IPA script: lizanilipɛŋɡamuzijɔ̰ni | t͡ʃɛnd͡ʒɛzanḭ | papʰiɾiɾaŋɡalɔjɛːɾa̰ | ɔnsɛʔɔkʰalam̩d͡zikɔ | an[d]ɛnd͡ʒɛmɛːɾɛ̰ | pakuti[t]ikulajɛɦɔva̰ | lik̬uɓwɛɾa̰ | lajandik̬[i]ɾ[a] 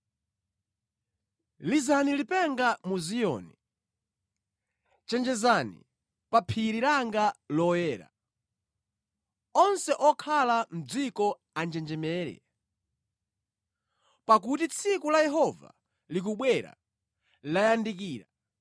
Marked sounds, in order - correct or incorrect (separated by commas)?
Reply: incorrect, incorrect, incorrect, correct